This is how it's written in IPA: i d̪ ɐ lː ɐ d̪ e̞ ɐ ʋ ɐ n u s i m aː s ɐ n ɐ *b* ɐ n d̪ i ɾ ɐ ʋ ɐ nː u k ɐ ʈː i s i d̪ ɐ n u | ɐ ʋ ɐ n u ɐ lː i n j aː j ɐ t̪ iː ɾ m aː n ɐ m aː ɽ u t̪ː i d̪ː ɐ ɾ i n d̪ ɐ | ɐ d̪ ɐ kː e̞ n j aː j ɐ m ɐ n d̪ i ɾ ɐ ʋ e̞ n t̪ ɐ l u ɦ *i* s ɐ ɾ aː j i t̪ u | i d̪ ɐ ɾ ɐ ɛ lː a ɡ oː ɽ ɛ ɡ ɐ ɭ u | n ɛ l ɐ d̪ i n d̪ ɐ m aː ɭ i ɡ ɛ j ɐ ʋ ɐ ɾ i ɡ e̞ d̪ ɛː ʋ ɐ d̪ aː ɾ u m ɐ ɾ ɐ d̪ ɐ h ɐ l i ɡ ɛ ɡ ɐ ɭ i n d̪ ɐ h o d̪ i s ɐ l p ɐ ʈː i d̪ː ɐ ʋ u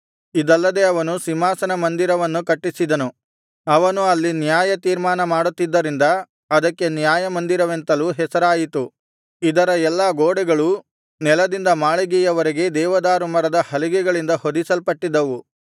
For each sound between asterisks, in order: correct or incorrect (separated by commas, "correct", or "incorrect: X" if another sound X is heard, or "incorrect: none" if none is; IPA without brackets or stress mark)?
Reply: incorrect: m, incorrect: ɛ